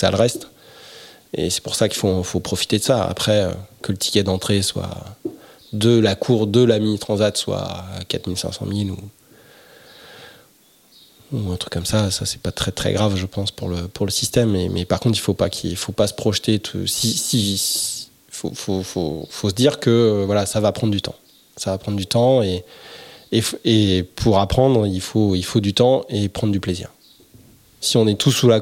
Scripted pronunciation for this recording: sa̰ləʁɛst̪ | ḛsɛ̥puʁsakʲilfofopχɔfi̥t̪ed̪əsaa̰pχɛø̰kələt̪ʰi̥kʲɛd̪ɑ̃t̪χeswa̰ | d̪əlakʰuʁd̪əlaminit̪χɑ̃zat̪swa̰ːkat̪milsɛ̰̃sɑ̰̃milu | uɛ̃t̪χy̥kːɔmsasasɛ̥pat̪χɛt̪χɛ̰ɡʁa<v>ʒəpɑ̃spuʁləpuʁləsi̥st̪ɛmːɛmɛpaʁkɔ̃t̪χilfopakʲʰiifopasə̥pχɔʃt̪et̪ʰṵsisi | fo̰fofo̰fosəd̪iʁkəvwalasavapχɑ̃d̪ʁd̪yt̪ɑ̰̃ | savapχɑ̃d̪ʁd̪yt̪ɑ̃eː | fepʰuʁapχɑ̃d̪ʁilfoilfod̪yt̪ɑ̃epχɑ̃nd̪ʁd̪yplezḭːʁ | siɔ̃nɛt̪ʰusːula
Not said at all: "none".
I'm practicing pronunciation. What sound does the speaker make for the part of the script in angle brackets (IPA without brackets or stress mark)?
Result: v